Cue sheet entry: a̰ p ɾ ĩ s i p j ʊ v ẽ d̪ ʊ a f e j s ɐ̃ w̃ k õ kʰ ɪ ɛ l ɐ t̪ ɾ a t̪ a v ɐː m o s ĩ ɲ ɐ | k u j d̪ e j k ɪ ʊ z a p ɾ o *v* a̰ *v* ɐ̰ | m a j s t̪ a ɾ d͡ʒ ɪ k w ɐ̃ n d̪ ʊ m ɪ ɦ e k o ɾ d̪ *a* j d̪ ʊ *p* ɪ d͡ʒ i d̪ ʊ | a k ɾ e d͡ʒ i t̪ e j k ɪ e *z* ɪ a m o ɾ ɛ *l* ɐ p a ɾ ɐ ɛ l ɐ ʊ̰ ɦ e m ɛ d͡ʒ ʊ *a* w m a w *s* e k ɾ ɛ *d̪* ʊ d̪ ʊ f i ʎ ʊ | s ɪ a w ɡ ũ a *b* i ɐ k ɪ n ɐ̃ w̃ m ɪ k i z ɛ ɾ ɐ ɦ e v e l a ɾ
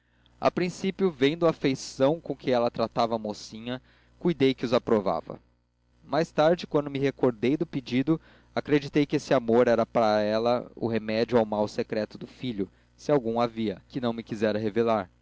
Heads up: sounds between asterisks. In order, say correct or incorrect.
correct, correct, incorrect, correct, incorrect, incorrect, correct, correct, incorrect, incorrect

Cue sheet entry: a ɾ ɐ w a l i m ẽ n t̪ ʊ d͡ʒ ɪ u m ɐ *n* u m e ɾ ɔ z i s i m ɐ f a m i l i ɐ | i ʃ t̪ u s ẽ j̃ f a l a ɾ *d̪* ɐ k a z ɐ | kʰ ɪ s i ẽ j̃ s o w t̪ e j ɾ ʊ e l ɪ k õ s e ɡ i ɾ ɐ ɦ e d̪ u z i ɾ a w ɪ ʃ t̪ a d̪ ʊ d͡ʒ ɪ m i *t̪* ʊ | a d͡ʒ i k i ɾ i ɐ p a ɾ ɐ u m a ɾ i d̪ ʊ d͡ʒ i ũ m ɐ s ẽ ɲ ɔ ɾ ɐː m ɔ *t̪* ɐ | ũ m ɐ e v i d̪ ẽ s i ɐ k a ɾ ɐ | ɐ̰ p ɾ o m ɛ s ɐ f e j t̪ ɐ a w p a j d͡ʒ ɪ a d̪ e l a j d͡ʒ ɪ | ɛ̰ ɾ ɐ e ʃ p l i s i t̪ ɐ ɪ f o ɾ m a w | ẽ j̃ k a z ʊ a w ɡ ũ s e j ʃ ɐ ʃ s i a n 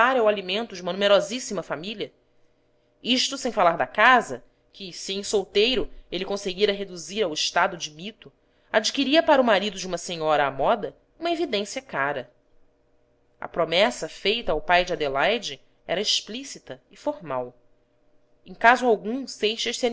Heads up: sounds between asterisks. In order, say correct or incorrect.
correct, correct, correct, incorrect

